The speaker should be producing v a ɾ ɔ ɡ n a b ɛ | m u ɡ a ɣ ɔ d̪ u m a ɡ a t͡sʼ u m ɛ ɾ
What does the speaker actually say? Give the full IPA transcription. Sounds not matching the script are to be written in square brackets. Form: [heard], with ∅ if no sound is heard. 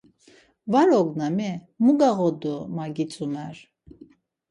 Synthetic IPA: v a ɾ ɔ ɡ n a [m] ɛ | m u ɡ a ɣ ɔ d̪ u m a ɡ [i] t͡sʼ u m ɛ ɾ